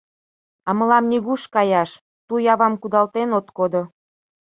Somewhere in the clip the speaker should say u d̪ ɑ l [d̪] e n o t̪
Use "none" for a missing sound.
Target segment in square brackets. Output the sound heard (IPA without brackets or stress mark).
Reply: t̪